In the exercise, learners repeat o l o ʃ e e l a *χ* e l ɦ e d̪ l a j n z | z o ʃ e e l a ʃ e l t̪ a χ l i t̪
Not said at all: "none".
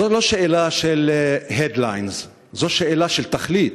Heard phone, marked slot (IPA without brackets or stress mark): ʃ